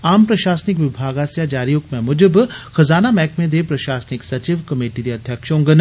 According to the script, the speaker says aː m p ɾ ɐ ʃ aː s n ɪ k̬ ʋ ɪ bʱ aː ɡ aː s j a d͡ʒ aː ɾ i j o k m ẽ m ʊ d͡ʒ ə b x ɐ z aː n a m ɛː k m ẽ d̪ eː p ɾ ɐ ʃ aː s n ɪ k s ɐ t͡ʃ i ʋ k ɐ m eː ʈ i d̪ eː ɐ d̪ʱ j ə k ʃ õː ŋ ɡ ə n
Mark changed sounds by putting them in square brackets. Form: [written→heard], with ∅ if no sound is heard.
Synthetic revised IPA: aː m p ɾ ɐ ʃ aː s n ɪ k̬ ʋ ɪ bʱ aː ɡ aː s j a d͡ʒ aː ɾ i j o k m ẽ m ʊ d͡ʒ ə b x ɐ z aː n a m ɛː k m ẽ d̪ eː p ɾ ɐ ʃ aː s n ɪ k s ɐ t͡ʃ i ʋ k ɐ m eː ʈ i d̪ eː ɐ d̪ʱ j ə k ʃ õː ŋ ɡ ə n